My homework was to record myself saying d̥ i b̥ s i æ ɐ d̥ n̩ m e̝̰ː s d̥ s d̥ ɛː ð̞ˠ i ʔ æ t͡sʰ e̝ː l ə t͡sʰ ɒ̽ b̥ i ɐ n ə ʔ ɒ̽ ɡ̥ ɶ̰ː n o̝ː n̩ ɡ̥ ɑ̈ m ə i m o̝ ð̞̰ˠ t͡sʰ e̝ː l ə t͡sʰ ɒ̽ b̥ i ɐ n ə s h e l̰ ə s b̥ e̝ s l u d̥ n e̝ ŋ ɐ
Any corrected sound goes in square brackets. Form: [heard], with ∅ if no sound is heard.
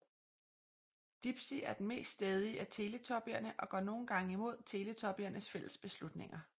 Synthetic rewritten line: d̥ i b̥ s i æ ɐ d̥ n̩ m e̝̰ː s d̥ s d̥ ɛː ð̞ˠ i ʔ æ t͡sʰ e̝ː l ə t͡sʰ ɒ̽ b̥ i ɐ n ə ʔ ɒ̽ ɡ̥ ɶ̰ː n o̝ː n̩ ɡ̥ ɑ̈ [ŋ] ə i m o̝ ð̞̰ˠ t͡sʰ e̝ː l ə t͡sʰ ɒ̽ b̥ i ɐ n ə s [f] e l̰ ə s b̥ e̝ s l u d̥ n e̝ ŋ ɐ